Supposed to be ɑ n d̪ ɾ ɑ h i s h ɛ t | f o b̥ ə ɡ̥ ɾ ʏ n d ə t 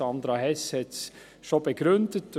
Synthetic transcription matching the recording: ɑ n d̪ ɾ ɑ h ɛ s h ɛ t | ʃ o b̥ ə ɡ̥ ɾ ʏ n d ə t